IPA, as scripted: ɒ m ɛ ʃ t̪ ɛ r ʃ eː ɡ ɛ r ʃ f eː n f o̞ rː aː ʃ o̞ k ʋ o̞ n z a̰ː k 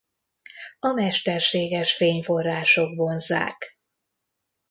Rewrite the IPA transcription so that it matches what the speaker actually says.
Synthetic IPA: ɒ m ɛ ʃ t̪ ɛ r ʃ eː ɡ ɛ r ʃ f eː ɲ f o̞ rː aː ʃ o̞ k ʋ o̞ n z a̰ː k